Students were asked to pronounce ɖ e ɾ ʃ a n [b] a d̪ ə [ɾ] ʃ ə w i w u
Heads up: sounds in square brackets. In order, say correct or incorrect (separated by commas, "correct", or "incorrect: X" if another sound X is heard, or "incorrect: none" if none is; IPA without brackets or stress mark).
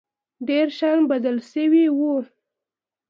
correct, incorrect: l